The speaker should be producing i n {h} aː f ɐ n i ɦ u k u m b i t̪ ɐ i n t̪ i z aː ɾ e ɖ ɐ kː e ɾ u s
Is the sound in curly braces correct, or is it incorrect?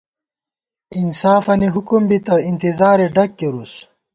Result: incorrect